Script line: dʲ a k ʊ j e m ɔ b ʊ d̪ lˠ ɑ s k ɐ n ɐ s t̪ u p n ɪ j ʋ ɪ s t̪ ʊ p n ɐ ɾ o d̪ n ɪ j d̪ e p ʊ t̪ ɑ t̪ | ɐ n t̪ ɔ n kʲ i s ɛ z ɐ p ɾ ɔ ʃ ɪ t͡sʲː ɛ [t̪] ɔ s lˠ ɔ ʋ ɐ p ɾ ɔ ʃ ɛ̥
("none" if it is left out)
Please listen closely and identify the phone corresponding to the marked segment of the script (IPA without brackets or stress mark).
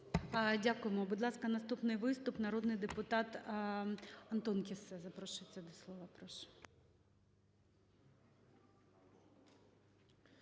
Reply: d̪